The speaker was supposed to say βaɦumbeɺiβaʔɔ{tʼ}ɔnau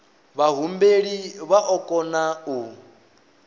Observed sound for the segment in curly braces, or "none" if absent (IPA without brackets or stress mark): kʼ